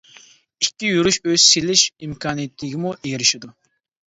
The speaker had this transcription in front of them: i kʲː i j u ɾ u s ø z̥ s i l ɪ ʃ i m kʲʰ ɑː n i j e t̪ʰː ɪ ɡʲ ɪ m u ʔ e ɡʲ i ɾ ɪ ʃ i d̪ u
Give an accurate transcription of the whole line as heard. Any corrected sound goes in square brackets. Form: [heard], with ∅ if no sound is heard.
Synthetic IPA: i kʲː i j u ɾ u [ʃ] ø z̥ s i l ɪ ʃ i m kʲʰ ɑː n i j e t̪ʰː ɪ ɡʲ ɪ m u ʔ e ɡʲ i ɾ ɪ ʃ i d̪ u